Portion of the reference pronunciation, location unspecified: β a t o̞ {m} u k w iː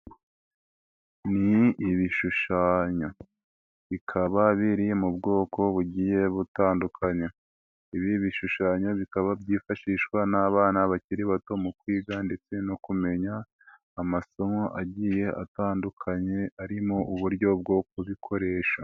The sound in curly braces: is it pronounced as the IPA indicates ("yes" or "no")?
yes